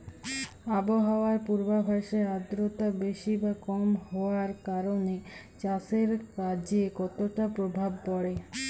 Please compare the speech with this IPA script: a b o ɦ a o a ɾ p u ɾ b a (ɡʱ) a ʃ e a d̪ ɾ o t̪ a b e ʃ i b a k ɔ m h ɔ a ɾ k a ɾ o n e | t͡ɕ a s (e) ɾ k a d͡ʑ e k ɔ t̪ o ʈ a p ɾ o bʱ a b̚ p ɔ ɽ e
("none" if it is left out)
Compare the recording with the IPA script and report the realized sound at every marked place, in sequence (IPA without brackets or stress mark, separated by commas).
bʱ, e